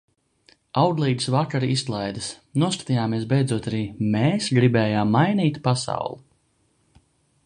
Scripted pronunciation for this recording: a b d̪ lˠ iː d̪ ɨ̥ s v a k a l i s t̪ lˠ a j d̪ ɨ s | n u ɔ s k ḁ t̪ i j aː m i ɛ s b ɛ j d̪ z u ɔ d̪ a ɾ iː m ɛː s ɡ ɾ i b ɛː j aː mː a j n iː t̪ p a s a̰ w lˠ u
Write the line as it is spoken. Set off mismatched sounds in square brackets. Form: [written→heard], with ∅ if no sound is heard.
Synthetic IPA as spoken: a [b→w] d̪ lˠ iː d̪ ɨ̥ s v a k a [l→ɾ] i s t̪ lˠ a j d̪ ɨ s | n u ɔ s k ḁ t̪ i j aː m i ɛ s b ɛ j d̪ z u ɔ [d̪→t̪] a ɾ iː m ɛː s ɡ ɾ i b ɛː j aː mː a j n iː t̪ p a s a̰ w lˠ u